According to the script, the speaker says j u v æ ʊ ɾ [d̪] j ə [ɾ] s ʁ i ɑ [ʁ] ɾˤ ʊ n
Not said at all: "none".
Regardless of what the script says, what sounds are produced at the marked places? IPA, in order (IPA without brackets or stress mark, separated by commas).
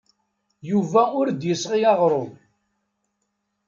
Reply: d̪, none, ʁ